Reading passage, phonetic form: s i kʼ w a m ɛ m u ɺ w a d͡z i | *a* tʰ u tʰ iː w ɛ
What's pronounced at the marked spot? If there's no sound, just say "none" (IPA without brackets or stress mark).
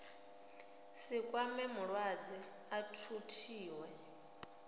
a